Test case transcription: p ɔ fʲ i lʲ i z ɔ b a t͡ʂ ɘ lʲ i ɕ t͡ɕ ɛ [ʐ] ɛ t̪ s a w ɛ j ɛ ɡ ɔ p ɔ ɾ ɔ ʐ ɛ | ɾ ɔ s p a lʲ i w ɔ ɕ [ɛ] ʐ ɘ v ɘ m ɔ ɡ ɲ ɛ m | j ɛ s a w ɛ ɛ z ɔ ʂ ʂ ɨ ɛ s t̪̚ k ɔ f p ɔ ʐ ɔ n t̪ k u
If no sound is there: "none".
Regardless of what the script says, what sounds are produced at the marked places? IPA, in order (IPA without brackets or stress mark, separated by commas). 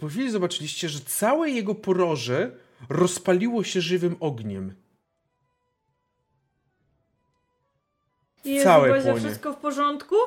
ʐ, ɛ